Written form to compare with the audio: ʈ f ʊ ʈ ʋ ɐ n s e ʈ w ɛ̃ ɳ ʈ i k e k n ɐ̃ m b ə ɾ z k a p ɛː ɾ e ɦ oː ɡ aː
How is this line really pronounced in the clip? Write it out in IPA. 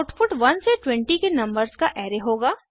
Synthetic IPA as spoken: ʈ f ʊ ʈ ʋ ɐ n s e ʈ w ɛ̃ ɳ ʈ i k e n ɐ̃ m b ə ɾ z k a ʔ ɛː ɾ e ɦ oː ɡ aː